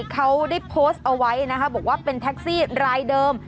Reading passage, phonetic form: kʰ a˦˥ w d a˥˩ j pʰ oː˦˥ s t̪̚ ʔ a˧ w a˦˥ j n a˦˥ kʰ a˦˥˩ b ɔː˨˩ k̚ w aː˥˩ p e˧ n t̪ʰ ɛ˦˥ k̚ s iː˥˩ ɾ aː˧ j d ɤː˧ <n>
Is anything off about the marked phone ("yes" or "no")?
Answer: yes